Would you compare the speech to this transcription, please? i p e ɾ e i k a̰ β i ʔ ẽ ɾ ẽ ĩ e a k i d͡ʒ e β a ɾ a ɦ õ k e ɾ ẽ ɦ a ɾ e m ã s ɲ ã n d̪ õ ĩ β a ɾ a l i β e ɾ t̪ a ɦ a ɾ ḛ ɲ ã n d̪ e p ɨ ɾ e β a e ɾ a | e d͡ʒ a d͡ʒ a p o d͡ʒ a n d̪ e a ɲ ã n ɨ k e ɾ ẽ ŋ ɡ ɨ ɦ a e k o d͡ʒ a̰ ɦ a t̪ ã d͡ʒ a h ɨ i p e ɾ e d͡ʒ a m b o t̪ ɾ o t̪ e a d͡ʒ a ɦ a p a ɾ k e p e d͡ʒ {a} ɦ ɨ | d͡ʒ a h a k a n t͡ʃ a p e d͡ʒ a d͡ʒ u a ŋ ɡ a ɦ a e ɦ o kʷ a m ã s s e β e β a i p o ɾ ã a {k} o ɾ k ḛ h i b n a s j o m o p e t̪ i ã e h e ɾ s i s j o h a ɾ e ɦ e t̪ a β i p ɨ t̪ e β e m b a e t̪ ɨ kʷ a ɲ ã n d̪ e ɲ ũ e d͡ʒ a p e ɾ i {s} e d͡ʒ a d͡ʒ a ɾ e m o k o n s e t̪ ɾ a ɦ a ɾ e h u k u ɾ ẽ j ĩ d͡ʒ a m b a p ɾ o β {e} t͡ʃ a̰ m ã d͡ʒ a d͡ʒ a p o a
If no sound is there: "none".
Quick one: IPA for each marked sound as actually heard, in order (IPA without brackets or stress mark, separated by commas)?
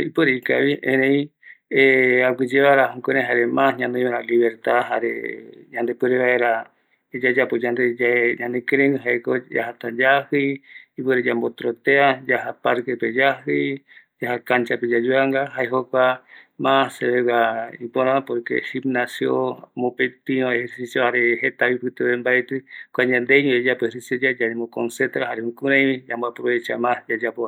a, p, s, e